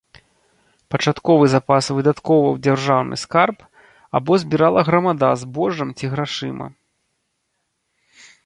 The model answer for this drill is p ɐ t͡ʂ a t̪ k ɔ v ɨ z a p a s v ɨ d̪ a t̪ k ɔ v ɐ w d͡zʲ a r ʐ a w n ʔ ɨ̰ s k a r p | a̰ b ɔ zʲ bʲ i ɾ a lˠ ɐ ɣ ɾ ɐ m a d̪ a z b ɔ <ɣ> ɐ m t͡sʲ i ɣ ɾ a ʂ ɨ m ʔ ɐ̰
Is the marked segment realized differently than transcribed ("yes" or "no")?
yes